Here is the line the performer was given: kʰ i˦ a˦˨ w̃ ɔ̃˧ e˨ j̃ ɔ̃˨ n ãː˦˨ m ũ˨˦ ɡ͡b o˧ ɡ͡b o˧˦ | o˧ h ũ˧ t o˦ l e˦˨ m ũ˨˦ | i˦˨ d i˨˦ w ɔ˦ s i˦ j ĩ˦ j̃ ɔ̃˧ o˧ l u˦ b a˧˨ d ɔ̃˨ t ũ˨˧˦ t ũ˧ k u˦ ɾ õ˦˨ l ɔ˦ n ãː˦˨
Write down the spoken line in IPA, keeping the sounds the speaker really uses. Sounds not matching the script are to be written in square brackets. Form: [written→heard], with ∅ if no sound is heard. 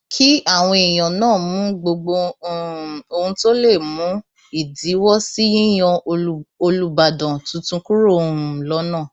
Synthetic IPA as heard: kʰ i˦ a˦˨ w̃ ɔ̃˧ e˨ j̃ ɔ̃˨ n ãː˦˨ m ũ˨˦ ɡ͡b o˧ ɡ͡b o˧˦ | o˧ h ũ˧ t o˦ l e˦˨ m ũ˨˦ | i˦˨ d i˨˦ w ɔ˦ s i˦ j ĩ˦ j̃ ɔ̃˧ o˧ l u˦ b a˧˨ d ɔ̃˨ t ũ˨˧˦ t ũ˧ k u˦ ɾ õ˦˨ l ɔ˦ n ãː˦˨